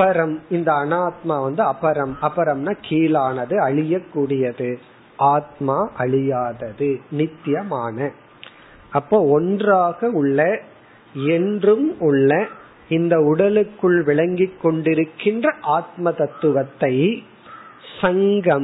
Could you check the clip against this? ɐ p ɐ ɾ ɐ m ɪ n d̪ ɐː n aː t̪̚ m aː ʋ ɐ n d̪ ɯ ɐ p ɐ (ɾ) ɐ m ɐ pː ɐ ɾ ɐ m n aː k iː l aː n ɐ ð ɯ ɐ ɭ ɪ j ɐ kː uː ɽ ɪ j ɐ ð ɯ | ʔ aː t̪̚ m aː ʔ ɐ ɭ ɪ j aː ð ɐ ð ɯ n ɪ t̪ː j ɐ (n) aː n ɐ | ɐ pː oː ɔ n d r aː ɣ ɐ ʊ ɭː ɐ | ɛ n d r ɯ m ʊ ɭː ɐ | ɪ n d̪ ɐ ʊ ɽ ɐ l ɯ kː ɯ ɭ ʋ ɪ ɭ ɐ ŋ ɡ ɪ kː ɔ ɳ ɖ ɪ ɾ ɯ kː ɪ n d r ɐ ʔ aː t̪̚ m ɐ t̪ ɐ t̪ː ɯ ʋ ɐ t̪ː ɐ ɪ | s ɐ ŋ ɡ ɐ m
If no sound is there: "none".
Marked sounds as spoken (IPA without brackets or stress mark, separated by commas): ɾ, m